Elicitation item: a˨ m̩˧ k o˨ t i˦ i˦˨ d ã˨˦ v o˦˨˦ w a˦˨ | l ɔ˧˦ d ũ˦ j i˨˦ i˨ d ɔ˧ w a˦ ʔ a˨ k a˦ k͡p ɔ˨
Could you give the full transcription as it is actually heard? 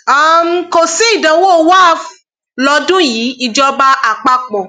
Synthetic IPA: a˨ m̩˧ k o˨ s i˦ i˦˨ d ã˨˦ w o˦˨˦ w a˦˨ | l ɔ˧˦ d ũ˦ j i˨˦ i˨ d͡ʒ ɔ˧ b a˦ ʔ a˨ k͡p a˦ k͡p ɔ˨